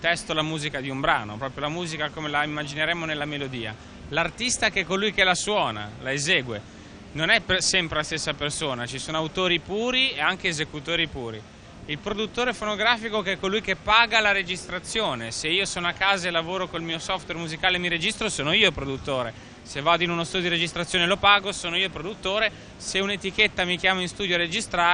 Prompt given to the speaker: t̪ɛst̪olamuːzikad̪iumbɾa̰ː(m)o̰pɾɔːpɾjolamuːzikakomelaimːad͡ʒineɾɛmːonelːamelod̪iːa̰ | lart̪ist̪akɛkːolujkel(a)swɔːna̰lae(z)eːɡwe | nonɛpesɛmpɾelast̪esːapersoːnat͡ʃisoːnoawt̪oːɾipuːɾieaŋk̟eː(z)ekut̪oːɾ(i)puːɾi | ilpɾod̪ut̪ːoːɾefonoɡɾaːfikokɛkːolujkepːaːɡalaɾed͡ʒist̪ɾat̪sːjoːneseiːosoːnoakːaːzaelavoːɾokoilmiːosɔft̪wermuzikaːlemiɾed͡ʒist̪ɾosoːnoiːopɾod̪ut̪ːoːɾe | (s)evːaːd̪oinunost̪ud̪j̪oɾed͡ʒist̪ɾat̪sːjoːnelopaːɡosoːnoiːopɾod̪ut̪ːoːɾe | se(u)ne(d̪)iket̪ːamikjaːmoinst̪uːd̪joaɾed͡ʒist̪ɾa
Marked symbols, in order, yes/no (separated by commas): no, yes, yes, yes, yes, yes, yes, no